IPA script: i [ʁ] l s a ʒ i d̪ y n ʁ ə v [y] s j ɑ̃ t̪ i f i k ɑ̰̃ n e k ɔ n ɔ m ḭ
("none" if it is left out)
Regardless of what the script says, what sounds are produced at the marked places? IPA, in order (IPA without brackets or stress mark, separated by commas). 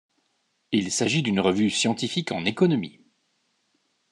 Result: none, y